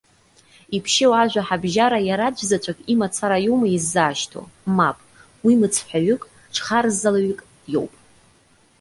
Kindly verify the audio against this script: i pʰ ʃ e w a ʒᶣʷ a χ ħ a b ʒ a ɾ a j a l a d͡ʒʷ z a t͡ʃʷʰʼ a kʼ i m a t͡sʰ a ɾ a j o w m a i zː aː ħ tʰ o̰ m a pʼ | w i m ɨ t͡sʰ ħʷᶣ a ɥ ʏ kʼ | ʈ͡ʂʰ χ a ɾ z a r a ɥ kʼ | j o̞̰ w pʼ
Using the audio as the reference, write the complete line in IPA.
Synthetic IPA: i pʰ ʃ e w a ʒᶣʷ a ħ a b ʒ a ɾ a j a ɾ a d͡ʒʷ z a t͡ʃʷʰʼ a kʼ i m a t͡sʰ a ɾ a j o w m a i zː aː ʃ tʰ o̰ m a pʼ | w i m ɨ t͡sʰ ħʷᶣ a ɥ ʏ kʼ | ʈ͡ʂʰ χ a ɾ z a l a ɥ kʼ | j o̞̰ w pʼ